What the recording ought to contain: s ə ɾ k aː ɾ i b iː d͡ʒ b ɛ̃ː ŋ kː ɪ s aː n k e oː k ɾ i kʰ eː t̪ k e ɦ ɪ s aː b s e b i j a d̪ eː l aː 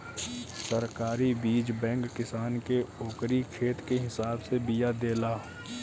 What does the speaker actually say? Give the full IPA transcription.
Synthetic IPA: s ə ɾ k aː ɾ i b iː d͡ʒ b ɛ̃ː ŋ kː ɪ s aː n k e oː k ɾ i kʰ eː t̪ k e ɦ ɪ s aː b s e b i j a d̪ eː l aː